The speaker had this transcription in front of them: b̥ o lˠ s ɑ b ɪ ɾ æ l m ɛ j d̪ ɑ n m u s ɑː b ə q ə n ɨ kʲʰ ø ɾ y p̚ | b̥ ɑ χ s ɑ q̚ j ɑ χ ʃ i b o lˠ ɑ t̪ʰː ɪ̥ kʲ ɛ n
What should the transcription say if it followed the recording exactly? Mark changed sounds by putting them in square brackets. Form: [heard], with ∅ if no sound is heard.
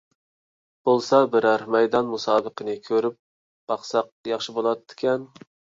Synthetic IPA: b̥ o lˠ s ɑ b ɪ ɾ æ [ɾ] m ɛ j d̪ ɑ n m u s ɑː b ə q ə n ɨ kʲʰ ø ɾ y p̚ | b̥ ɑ χ s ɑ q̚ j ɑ χ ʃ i b o lˠ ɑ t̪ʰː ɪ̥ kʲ ɛ n